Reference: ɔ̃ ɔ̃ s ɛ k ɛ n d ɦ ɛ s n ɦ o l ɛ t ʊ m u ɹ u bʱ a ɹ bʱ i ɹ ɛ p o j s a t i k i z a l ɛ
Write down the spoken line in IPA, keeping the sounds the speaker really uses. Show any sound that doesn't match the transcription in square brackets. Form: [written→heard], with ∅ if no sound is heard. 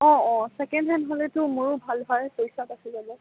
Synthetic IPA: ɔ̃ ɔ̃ s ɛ k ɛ n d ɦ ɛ [s→∅] n ɦ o l ɛ t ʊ m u ɹ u bʱ a [ɹ→l] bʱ [i→a] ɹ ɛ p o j s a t [i→a] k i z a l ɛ